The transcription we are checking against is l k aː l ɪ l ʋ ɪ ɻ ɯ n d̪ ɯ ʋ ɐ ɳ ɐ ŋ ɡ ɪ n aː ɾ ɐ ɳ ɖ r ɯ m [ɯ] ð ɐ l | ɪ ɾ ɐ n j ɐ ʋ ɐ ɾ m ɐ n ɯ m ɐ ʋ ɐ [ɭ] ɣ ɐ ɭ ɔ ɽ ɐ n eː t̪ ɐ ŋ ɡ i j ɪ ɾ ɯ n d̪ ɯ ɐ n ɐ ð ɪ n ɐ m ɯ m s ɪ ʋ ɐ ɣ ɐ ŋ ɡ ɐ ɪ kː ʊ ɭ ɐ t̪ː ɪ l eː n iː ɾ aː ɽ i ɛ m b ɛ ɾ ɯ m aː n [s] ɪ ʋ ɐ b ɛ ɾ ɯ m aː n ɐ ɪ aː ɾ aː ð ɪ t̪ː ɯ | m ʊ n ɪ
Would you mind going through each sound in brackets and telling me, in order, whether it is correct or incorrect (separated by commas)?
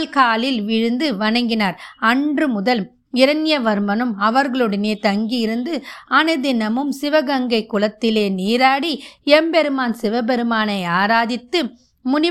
incorrect, incorrect, correct